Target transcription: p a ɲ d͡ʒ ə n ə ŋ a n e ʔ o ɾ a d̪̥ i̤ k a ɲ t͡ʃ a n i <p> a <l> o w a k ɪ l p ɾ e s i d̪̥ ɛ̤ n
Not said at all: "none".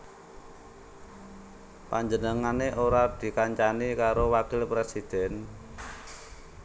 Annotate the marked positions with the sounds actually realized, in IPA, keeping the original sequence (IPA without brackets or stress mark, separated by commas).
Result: k, ɾ